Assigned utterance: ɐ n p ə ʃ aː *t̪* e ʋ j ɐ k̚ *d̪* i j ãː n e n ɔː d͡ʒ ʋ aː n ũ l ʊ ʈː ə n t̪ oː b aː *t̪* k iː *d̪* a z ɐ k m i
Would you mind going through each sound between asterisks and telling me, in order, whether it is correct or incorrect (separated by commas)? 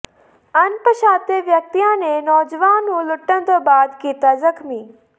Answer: correct, incorrect, incorrect, incorrect